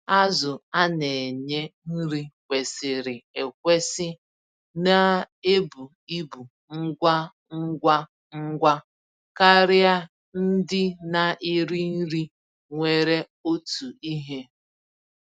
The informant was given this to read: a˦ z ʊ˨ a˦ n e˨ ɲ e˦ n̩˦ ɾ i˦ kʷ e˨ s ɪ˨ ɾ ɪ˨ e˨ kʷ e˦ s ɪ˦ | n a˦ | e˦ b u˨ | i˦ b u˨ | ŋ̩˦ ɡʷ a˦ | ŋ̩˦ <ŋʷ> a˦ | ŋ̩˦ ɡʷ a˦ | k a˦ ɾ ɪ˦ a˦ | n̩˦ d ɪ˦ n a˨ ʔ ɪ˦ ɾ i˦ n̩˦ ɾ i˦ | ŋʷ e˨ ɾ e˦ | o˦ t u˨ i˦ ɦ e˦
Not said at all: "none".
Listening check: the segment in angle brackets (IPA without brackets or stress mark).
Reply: ɡʷ